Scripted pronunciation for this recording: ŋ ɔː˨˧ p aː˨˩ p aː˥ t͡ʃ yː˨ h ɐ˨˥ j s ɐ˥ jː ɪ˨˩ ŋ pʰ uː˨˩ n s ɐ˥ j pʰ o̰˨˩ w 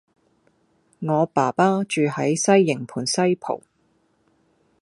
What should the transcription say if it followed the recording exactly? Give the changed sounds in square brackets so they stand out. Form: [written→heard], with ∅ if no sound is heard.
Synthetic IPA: ŋ ɔː˨˧ p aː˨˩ p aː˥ t͡ʃ yː˨ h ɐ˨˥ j s ɐ˥ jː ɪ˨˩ ŋ pʰ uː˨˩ n s ɐ˥ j pʰ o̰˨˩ w